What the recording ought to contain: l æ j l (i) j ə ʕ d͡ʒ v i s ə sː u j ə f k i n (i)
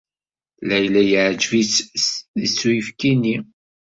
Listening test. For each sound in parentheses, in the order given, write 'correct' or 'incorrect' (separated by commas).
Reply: incorrect, correct